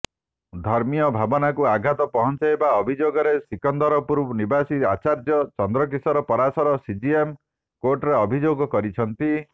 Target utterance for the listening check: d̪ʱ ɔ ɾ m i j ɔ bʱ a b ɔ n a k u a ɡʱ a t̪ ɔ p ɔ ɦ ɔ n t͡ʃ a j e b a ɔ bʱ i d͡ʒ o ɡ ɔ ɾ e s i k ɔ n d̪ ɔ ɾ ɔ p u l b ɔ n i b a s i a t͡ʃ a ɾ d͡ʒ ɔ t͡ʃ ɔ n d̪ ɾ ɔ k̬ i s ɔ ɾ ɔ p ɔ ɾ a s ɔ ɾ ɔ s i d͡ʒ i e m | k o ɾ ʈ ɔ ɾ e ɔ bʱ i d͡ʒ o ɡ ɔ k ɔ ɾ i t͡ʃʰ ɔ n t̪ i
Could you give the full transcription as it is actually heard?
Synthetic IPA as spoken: d̪ʱ ɔ ɾ m i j ɔ bʱ a b ɔ n a k u a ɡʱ a t̪ ɔ p ɔ ɦ ɔ n t͡ʃ a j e b a ɔ bʱ i d͡ʒ o ɡ ɔ ɾ e s i k ɔ n d̪ ɔ ɾ ɔ p u ɾ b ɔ n i b a s i a t͡ʃ a ɾ d͡ʒ ɔ t͡ʃ ɔ n d̪ ɾ ɔ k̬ i s ɔ ɾ ɔ p ɔ ɾ a s ɔ ɾ ɔ s i d͡ʒ i e m | k o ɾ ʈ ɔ ɾ e ɔ bʱ i d͡ʒ o ɡ ɔ k ɔ ɾ i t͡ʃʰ ɔ n t̪ i

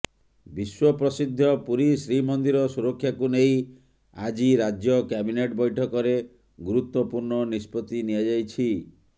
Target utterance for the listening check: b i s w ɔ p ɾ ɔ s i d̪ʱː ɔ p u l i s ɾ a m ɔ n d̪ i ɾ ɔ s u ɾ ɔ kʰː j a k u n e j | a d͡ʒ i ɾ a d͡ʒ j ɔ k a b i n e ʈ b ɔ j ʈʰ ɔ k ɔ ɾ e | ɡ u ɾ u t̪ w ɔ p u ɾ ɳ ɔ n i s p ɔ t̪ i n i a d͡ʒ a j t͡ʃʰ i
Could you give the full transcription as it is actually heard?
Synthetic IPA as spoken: b i s w ɔ p ɾ ɔ s i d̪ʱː ɔ p u ɾ i s ɾ i m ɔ n d̪ i ɾ ɔ s u ɾ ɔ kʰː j a k u n e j | a d͡ʒ i ɾ a d͡ʒ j ɔ k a b i n e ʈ b ɔ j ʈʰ ɔ k ɔ ɾ e | ɡ u ɾ u t̪ w ɔ p u ɾ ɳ ɔ n i s p ɔ t̪ i n i a d͡ʒ a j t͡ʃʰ i

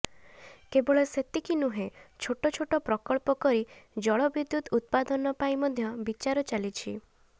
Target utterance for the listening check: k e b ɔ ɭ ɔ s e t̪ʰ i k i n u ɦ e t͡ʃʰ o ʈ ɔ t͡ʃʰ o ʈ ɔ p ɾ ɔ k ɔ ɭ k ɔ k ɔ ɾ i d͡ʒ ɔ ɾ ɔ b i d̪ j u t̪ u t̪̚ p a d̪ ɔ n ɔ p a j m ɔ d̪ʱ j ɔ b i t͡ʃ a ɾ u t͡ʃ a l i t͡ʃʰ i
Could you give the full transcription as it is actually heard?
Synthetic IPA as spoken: k e b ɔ ɭ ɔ s e t̪ i k i n u ɦ e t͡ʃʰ o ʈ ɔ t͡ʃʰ o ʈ ɔ p ɾ ɔ k ɔ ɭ p ɔ k ɔ ɾ i d͡ʒ ɔ ɭ ɔ b i d̪ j u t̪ u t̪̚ p a d̪ ɔ n ɔ p a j m ɔ d̪ʱ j ɔ b i t͡ʃ a ɾ ɔ t͡ʃ a l i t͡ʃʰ i

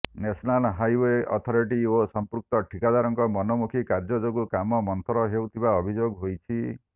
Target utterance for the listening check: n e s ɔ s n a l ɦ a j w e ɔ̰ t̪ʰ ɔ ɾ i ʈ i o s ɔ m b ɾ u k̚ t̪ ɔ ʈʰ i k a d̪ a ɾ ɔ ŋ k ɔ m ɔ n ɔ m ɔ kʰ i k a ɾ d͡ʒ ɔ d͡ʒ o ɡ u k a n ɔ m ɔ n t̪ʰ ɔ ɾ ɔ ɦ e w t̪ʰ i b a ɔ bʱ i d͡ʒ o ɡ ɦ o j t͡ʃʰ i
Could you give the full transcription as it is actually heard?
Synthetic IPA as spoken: n e s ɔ n a l ɦ a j w e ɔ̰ t̪ʰ ɔ ɾ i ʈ i o s ɔ m p ɾ u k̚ t̪ ɔ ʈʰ i k a d̪ a ɾ ɔ ŋ k ɔ m ɔ n ɔ m u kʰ i k a ɾ d͡ʒ ɔ d͡ʒ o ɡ u k a m ɔ m ɔ n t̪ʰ ɔ ɾ ɔ ɦ e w t̪ʰ i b a ɔ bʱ i d͡ʒ o ɡ ɦ o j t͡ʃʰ i

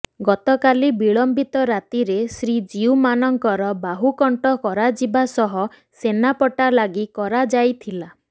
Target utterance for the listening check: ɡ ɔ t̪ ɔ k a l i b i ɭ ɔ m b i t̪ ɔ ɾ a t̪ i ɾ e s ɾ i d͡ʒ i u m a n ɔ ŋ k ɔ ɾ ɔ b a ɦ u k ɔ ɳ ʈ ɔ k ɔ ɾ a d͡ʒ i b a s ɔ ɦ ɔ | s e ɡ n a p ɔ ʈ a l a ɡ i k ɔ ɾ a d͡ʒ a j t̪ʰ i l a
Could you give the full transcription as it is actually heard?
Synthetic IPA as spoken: ɡ ɔ t̪ ɔ k a l i b i ɭ ɔ m b i t̪ ɔ ɾ a t̪ i ɾ e s ɾ i d͡ʒ i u m a n ɔ ŋ k ɔ ɾ ɔ b a ɦ u k ɔ ɳ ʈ ɔ k ɔ ɾ a d͡ʒ i b a s ɔ ɦ ɔ | s e n a p ɔ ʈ a l a ɡ i k ɔ ɾ a d͡ʒ a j t̪ʰ i l a

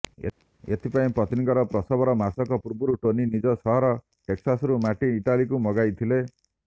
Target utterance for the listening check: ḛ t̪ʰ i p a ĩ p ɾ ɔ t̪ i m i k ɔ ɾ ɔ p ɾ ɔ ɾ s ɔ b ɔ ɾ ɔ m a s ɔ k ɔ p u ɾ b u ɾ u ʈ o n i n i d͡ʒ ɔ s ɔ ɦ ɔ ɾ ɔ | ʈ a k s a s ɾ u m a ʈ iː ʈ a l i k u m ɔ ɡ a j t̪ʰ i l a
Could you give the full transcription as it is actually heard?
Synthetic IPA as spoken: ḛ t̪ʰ i p a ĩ p ɾ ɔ t̪ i n i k ɔ ɾ ɔ p ɾ ɔ s ɔ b ɔ ɾ ɔ m a s ɔ k ɔ p u ɾ b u ɾ u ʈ o n i n i d͡ʒ ɔ s ɔ ɦ ɔ ɾ ɔ | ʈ e k s a s ɾ u m a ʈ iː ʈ a l i k u m ɔ ɡ a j t̪ʰ i l e

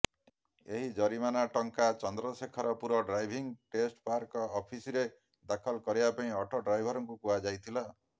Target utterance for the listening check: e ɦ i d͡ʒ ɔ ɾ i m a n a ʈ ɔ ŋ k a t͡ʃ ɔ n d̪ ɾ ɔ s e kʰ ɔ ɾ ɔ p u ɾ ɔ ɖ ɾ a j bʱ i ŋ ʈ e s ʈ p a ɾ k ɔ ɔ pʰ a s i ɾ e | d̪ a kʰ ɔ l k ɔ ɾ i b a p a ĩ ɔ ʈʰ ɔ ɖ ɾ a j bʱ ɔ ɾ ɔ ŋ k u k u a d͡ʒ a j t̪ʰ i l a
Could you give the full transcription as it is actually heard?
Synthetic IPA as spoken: e ɦ i d͡ʒ ɔ ɾ i m a n a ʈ ɔ ŋ k a t͡ʃ ɔ n d̪ ɾ ɔ s e kʰ ɔ ɾ ɔ p u ɾ ɔ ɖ ɾ a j bʱ i ŋ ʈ e s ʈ p a ɾ k ɔ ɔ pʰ i s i ɾ e | d̪ a kʰ ɔ l k ɔ ɾ i b a p a ĩ ɔ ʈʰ ɔ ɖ ɾ a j bʱ ɔ ɾ ɔ ŋ k u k u a d͡ʒ a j t̪ʰ i l a

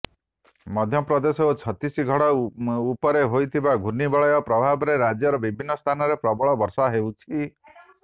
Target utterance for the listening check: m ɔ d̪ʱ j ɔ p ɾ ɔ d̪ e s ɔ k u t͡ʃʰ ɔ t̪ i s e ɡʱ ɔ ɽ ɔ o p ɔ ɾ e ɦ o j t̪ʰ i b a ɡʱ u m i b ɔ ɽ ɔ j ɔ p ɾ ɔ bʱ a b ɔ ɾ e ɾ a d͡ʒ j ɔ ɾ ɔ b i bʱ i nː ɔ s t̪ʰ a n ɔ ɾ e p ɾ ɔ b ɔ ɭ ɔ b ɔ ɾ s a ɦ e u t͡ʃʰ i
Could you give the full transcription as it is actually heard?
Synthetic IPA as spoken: m ɔ d̪ʱ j ɔ p ɾ ɔ d̪ e s ɔ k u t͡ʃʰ ɔ t̪ i s i ɡʱ ɔ ɽ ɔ u p ɔ ɾ e ɦ o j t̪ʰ i b a ɡʱ u n i b ɔ ɭ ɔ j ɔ p ɾ ɔ bʱ a b ɔ ɾ e ɾ a d͡ʒ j ɔ ɾ ɔ b i bʱ i nː ɔ s t̪ʰ a n ɔ ɾ e p ɾ ɔ b ɔ ɭ ɔ b ɔ ɾ s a ɦ e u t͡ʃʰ i

